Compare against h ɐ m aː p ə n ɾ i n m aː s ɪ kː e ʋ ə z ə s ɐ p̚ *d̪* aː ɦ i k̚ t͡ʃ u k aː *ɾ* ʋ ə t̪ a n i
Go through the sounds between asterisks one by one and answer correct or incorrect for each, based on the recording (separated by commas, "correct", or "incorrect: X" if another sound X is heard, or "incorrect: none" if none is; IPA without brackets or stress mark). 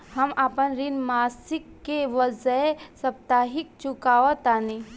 incorrect: t̪, incorrect: none